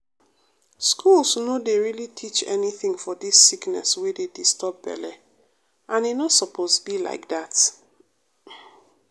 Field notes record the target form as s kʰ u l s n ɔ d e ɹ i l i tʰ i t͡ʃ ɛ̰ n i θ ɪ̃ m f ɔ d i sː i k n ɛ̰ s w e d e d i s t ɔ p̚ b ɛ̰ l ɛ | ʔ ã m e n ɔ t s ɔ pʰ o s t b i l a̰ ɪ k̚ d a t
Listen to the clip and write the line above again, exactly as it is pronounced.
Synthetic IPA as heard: s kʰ u l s n o d e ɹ i l i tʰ i t͡ʃ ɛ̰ n i θ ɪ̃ ŋ f ɔ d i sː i k n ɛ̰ s w e d e d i s t ɔ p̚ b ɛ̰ l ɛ | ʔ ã n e n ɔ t s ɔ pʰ o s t b i l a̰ ɪ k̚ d a t